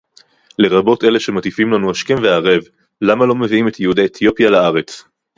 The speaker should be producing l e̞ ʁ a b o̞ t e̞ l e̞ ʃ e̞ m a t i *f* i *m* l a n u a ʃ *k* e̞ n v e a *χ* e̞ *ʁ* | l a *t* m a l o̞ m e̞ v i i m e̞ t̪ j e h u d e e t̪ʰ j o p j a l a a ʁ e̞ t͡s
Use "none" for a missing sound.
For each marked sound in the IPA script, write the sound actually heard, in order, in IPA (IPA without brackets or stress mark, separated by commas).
f, m, k, ʁ, v, none